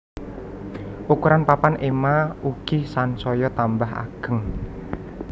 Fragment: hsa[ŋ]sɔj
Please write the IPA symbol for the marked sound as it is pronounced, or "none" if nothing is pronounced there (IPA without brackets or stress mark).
n